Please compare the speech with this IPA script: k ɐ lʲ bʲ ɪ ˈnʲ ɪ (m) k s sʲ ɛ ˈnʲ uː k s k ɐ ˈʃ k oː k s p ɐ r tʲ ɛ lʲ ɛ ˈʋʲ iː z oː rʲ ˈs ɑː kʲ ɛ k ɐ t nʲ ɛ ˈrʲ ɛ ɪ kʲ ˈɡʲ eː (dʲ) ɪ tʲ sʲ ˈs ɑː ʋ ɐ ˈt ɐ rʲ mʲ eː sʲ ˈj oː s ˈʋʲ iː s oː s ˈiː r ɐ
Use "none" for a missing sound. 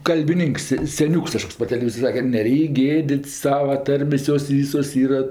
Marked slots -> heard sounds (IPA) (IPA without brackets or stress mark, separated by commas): ŋ, dʲ